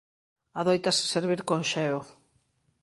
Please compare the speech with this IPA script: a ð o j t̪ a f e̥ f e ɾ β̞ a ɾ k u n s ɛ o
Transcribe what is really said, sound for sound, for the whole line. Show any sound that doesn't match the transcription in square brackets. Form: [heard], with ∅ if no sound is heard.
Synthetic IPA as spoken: a ð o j t̪ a [s] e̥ [s] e ɾ β̞ [i] ɾ k [o] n [ʃ] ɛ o